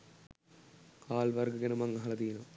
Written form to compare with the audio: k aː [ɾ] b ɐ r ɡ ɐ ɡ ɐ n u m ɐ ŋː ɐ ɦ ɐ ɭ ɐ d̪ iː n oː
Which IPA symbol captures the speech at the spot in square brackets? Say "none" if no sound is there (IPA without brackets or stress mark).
l